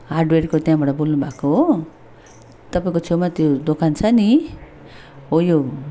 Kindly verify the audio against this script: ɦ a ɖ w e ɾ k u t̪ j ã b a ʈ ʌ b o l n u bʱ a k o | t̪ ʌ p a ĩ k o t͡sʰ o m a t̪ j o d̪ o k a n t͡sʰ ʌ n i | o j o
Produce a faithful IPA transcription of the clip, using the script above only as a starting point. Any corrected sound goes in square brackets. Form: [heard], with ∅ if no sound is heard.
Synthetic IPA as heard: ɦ a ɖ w e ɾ k [o] t̪ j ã b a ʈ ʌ b o l n u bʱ a k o | t̪ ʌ p a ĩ k o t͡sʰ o m a t̪ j o d̪ o k a n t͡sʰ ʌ n i | o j o